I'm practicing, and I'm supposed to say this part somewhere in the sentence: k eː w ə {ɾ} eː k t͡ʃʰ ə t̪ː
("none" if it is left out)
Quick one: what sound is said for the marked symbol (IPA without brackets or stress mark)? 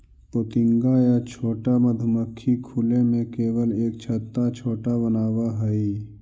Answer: l